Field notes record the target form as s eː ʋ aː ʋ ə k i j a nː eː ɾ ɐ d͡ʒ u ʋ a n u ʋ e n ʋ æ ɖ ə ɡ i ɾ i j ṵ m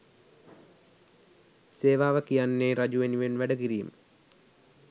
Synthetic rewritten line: s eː ʋ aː ʋ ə k i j a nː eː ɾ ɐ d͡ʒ u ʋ e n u ʋ e n ʋ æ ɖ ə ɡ i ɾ i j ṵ m